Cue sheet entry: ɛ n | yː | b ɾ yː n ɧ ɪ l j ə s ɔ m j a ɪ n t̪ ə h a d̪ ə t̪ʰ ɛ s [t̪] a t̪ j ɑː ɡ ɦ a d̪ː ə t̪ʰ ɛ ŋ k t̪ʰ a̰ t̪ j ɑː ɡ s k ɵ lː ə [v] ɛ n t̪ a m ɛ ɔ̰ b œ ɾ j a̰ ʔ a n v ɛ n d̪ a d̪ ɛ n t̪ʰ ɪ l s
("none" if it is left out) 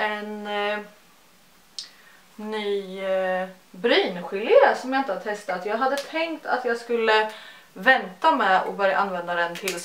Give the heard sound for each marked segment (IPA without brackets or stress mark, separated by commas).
t̪, v